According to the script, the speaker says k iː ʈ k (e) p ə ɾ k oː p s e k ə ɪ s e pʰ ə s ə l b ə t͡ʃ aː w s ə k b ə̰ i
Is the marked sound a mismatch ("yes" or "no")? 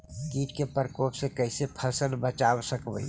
no